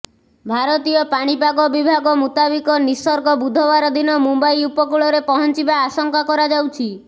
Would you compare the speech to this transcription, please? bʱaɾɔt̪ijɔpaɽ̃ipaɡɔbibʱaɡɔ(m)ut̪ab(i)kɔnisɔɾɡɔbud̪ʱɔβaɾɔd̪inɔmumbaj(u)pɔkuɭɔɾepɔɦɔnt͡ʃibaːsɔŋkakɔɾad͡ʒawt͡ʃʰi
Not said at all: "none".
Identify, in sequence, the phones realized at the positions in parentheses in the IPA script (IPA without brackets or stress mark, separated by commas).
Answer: m, i, u